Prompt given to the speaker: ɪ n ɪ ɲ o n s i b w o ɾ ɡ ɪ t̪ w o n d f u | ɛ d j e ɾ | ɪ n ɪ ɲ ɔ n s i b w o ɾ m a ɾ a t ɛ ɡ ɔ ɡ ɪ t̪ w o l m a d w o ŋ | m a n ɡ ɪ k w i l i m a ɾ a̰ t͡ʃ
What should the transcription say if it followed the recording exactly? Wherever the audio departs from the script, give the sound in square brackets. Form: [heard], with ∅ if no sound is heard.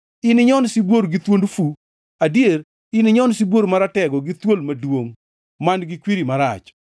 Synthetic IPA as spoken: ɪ n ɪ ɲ [ɔ] n s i b w o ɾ ɡ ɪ t̪ w o n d f u | [a] d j e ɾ | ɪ n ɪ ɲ ɔ n s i b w o ɾ m a ɾ a t ɛ ɡ ɔ ɡ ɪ t̪ w o l m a d w o ŋ | m a n ɡ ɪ k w i [ɾ] i m a ɾ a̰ t͡ʃ